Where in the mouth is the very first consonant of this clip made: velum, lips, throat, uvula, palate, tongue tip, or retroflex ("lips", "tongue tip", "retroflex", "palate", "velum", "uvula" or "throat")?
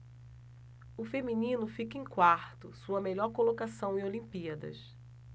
lips